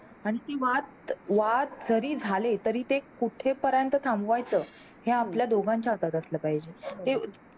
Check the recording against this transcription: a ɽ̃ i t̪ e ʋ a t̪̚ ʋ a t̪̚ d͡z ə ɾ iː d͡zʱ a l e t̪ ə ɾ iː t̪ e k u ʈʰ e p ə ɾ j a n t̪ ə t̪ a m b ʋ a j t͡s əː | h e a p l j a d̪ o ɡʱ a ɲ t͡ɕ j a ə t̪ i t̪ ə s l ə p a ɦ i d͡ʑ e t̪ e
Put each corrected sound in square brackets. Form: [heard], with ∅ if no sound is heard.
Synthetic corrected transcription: a ɽ̃ i t̪ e ʋ a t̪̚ ʋ a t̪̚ d͡z ə ɾ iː d͡zʱ a l e t̪ ə ɾ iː t̪ e k u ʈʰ e p ə ɾ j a n t̪ ə [t̪ʰ] a m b ʋ a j t͡s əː | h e a p l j a d̪ o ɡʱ a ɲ t͡ɕ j a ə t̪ [a] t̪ ə s l ə p a ɦ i d͡ʑ e t̪ e